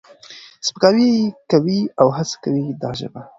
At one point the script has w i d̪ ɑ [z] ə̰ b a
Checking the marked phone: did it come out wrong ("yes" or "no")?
yes